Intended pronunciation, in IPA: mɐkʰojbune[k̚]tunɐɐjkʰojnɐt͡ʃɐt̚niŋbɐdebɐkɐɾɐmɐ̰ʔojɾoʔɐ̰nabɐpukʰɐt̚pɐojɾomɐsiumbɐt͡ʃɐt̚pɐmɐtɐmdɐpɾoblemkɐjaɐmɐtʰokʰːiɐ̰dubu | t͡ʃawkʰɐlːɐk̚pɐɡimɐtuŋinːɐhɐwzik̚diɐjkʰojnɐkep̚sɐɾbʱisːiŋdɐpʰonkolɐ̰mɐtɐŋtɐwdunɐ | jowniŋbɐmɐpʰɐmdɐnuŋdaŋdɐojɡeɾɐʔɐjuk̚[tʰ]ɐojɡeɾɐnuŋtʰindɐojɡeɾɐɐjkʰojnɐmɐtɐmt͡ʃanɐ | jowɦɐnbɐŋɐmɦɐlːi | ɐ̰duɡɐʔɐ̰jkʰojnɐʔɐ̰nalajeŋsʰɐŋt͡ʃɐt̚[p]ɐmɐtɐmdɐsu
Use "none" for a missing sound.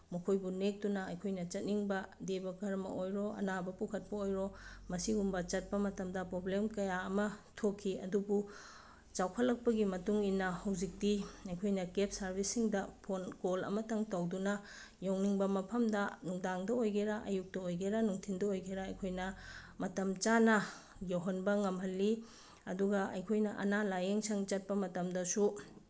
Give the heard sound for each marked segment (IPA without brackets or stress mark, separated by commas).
k̚, t, p